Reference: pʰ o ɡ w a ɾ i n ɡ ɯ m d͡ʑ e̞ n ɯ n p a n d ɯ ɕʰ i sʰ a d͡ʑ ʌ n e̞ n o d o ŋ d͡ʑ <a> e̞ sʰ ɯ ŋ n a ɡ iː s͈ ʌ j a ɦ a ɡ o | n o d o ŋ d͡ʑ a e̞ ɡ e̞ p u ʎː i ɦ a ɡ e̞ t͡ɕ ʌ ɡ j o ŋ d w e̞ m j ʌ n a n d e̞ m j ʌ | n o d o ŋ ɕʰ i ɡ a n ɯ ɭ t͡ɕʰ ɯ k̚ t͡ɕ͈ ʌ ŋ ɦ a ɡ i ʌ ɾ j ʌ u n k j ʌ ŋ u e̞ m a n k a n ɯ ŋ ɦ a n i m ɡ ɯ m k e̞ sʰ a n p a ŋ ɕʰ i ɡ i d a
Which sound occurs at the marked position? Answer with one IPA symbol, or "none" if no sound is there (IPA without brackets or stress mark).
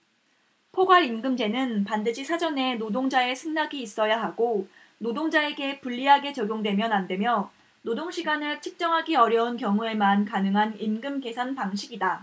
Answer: a